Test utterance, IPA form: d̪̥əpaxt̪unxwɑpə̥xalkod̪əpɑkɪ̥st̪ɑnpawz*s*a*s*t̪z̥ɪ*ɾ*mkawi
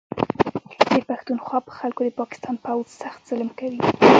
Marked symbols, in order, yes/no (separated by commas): yes, no, no